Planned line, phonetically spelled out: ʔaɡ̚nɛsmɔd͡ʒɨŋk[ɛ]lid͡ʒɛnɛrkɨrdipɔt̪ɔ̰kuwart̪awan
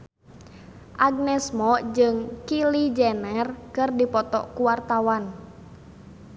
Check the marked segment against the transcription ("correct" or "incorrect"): incorrect